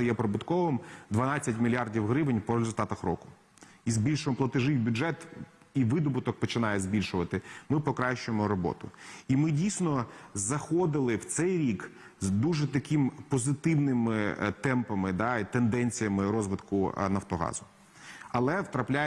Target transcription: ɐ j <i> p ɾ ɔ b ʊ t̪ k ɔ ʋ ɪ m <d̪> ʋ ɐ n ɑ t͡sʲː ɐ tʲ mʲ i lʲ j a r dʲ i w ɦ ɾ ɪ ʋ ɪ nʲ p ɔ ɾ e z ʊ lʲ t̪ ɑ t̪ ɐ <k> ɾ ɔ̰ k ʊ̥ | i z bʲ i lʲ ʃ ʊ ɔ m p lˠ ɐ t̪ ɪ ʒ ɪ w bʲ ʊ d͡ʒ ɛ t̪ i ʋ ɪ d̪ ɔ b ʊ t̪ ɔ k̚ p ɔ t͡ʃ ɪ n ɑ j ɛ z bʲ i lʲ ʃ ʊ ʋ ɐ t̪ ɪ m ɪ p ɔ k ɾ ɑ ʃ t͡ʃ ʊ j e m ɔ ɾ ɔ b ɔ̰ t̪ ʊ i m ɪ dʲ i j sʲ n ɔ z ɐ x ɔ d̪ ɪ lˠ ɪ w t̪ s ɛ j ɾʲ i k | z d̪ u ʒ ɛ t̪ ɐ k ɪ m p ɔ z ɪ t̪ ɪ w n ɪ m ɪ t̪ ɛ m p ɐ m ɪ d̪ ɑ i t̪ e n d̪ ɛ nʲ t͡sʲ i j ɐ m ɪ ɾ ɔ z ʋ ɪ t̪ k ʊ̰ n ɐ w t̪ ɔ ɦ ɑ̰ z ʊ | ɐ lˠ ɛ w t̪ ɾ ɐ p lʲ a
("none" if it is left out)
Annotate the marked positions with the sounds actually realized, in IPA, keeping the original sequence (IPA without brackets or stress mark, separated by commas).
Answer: ɛ, d̪, x